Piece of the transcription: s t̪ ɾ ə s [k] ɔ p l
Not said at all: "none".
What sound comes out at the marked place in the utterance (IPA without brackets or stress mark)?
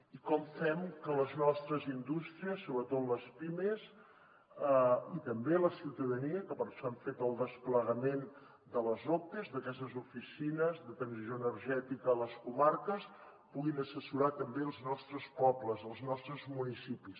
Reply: p